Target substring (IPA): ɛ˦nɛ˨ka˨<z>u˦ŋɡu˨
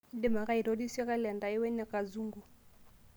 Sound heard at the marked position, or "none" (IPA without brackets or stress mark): z